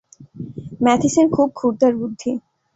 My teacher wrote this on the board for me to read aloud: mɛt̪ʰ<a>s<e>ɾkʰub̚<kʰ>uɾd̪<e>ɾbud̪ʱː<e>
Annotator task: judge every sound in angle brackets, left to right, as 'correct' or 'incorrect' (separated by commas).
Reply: incorrect, correct, correct, incorrect, incorrect